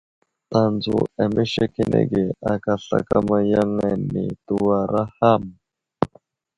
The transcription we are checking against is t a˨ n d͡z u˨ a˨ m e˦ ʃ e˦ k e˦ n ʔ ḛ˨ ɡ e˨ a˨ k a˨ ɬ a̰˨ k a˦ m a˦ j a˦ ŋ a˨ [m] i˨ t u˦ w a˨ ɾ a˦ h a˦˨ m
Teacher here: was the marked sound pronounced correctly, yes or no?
no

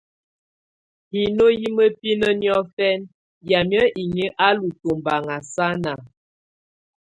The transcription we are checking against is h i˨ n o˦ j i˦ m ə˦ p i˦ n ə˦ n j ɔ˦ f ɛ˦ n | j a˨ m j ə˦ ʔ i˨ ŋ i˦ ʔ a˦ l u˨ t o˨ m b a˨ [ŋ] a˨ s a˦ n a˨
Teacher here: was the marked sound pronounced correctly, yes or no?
yes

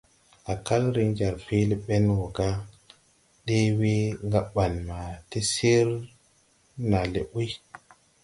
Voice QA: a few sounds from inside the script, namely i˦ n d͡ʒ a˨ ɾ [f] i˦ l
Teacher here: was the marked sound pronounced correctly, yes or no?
yes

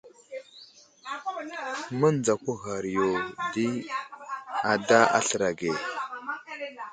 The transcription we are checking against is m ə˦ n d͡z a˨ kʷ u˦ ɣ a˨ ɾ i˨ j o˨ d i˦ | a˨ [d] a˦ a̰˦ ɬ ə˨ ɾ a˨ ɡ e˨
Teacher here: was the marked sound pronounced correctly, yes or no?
yes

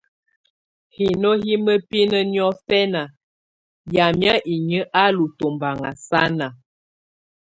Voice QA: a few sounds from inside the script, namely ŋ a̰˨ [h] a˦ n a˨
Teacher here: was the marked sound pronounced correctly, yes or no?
no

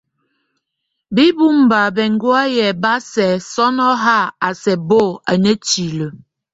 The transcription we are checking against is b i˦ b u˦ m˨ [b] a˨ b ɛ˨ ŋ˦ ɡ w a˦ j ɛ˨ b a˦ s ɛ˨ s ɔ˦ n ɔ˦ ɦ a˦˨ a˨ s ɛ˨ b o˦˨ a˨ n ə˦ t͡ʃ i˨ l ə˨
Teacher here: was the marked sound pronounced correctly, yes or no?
yes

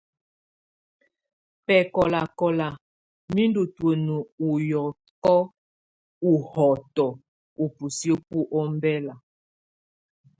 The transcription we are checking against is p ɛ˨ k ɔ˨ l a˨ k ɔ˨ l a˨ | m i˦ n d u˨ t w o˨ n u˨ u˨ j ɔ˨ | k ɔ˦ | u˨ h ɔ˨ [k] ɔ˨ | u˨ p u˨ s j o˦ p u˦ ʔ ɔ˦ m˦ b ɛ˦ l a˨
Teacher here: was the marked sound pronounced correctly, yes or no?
no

